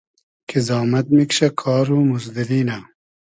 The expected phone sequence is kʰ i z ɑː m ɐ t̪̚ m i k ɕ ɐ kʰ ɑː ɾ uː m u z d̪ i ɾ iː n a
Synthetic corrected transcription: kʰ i z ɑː m ɐ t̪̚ m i k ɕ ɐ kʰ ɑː ɾ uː m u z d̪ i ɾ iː n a